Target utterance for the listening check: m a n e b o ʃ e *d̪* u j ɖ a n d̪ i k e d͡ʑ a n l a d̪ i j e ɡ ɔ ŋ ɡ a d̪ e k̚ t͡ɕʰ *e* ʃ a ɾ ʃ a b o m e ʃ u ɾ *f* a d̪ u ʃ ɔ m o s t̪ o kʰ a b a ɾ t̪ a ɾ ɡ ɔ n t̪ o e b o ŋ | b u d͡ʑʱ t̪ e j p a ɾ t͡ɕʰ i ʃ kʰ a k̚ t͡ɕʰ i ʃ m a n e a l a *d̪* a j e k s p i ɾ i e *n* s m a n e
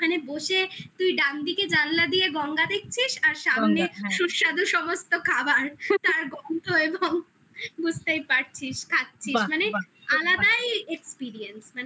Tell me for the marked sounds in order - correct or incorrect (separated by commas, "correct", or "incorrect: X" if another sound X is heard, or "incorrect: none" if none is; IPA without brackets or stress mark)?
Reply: incorrect: t̪, incorrect: i, incorrect: ʃ, correct, correct